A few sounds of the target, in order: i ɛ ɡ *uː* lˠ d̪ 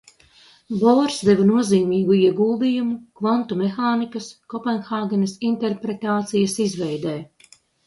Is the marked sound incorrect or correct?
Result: correct